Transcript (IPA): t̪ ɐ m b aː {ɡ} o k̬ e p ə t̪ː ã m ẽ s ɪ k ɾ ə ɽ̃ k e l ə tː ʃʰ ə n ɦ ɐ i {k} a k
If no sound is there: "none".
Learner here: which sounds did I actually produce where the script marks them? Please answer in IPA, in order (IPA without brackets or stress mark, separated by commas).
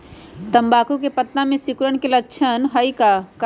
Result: k, k